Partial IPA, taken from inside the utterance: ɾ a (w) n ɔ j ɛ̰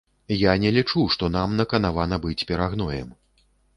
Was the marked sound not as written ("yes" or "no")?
yes